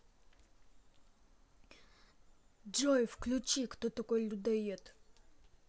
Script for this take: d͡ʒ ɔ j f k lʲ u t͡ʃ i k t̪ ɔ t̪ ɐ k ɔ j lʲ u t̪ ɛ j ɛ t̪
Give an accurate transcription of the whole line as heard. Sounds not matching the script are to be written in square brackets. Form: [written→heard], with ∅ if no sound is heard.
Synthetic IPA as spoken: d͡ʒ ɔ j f k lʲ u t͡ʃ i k t̪ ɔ t̪ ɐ k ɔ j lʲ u [t̪→d̪] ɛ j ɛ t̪